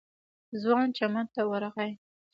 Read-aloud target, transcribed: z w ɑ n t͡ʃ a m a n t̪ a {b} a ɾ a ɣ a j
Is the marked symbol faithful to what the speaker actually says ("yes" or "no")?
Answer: no